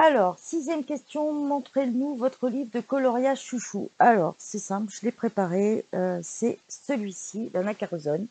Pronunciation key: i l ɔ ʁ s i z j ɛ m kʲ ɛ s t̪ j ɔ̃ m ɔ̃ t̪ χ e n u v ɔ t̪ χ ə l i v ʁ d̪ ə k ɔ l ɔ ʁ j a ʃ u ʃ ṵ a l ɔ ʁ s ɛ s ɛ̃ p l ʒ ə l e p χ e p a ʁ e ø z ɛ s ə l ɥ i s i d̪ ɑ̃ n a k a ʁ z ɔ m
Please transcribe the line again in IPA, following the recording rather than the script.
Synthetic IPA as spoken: a l ɔ ʁ s i z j ɛ m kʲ ɛ s t̪ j ɔ̃ m ɔ̃ t̪ χ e n u v ɔ t̪ χ ə l i v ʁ d̪ ə k ɔ l ɔ ʁ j a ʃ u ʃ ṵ a l ɔ ʁ s ɛ s ɛ̃ p l ʒ ə l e p χ e p a ʁ e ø s ɛ s ə l ɥ i s i d̪ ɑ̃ n a k a ʁ z ɔ n